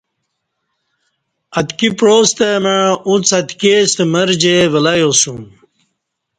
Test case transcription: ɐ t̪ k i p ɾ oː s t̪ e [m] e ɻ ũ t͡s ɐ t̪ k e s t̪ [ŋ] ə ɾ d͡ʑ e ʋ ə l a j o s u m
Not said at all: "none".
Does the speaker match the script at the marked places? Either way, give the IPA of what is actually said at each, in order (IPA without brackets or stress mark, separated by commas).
m, m